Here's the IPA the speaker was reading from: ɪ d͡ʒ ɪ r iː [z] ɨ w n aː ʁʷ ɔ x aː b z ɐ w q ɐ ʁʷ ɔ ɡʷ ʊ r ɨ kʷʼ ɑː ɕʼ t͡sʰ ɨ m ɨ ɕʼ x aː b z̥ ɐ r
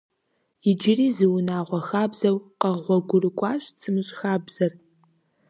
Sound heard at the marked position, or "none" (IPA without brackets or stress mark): z